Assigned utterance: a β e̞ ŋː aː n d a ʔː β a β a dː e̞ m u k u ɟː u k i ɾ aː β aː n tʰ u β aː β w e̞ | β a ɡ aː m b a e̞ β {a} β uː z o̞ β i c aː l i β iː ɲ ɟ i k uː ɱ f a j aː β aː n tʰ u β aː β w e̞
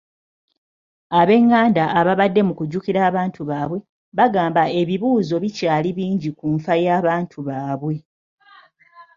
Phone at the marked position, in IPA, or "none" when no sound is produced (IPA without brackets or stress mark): i